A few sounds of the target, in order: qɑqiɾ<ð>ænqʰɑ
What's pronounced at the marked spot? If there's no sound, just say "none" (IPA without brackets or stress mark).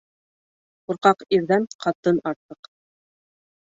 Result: ð